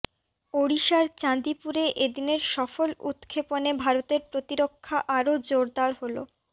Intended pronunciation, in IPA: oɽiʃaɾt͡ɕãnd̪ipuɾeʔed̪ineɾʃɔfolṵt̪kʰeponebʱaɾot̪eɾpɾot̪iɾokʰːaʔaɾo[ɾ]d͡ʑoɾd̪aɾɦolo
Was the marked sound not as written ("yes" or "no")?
yes